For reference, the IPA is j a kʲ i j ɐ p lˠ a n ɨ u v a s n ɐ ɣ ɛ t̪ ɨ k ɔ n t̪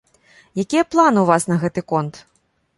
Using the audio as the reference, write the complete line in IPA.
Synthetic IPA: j a kʲ i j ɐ p lˠ a n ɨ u v a s n ɐ ɣ ɛ t̪ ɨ k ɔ n t̪